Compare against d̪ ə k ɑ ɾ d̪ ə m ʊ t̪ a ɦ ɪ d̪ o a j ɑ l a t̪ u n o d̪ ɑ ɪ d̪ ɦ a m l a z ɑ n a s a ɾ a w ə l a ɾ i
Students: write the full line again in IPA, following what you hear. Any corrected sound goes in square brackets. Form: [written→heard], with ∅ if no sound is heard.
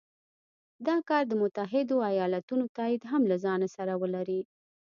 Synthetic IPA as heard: d̪ [ə→ɑ] k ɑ ɾ d̪ ə m ʊ t̪ a ɦ ɪ d̪ o a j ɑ l a t̪ u n o [d̪→t̪] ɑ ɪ d̪ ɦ a m l a z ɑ n a s a ɾ a w ə l a ɾ i

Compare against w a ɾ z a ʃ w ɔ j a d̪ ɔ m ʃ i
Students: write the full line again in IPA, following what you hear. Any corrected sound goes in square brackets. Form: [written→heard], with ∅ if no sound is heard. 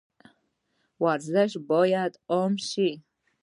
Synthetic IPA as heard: w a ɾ z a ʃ [w→b] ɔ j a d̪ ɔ m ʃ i

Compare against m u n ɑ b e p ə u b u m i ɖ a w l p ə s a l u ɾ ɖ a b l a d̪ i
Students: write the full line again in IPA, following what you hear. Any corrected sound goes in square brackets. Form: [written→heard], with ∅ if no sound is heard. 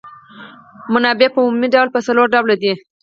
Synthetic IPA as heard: m [u→ʊ] n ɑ b e p ə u [b→m] u m i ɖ a w l p ə s a l [u→o] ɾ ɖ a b l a d̪ i

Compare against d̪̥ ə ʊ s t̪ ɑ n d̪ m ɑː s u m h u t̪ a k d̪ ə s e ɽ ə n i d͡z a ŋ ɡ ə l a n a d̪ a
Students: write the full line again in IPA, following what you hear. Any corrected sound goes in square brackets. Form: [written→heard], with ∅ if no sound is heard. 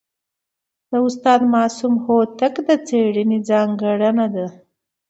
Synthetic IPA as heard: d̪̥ ə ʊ s t̪ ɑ [n→∅] d̪ m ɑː s u m h [u→o] t̪ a k d̪ ə [s→t͡s] e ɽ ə n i d͡z [a→ɑ] ŋ ɡ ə [l→ɽ] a n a d̪ a

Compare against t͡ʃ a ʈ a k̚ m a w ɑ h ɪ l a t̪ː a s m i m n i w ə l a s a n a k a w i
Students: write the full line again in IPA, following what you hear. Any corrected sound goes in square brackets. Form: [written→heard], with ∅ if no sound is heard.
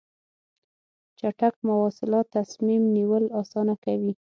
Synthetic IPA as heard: t͡ʃ a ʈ a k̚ m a w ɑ [h→s] ɪ l [a→ɑ] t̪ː a s m i m n i w ə l [a→ɑ] s [a→ɑ] n a k a w i

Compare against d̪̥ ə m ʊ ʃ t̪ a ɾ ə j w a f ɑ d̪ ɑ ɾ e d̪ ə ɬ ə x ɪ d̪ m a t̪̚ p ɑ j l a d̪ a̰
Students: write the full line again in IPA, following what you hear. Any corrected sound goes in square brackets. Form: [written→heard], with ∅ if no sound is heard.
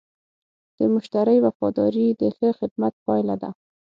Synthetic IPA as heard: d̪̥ ə m ʊ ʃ t̪ a ɾ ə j w a f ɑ d̪ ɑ ɾ [e→i] d̪ ə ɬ ə x ɪ d̪ m a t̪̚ p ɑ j l a d̪ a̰

